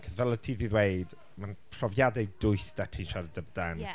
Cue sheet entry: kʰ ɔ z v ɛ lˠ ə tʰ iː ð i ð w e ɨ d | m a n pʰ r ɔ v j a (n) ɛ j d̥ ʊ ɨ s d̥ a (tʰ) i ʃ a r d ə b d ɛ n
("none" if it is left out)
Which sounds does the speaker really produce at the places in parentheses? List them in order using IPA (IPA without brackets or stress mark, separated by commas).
d, tʰ